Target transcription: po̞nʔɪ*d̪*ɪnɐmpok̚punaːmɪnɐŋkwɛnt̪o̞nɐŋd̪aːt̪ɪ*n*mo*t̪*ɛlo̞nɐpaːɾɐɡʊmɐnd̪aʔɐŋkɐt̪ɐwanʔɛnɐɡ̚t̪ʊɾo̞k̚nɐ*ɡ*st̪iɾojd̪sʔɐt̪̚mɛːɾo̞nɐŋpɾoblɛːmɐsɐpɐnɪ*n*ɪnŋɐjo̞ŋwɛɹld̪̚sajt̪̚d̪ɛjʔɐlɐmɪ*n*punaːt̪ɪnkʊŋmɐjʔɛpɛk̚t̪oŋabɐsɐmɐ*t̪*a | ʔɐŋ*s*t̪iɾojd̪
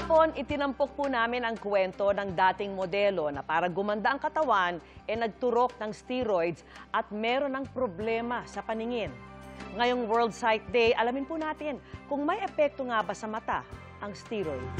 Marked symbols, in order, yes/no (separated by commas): no, no, no, no, no, yes, yes, yes